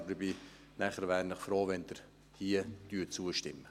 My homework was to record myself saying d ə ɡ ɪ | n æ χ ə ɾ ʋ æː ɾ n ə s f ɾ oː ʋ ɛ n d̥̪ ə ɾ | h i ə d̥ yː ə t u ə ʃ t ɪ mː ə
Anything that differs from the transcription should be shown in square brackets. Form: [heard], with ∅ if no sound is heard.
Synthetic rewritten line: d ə [b] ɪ | n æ χ ə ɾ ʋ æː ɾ n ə [χ] f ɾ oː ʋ ɛ n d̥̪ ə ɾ | h i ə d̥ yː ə [t͡s] u ə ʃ t ɪ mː ə